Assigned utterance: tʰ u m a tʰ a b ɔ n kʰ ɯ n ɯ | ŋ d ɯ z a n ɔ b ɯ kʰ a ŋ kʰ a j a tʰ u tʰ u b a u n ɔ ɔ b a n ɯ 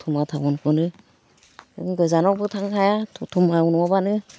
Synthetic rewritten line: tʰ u m a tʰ a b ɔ n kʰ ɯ n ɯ | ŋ ɡ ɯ z a n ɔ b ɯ tʰ a ŋ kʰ a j a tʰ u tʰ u m a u n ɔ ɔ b a n ɯ